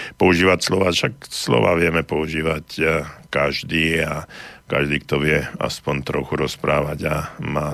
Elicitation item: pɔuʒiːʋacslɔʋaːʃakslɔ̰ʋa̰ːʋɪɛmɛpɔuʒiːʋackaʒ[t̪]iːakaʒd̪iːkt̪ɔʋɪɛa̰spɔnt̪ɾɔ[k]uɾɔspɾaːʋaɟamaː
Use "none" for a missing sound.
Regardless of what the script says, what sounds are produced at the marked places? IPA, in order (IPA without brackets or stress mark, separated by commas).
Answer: d̪, x